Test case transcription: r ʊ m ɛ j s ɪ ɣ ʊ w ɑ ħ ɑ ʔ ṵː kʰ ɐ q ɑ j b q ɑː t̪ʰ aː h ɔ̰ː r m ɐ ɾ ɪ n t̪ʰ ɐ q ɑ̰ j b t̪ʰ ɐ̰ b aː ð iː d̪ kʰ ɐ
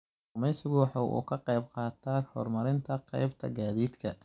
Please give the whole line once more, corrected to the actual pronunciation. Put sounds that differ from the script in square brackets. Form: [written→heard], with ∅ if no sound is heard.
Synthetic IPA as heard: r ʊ m ɛ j s ɪ ɣ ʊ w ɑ ħ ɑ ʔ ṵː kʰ ɐ q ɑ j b q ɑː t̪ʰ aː h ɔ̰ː r m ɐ ɾ ɪ n t̪ʰ ɐ q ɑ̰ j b t̪ʰ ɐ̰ [b→ɡ] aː ð iː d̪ kʰ ɐ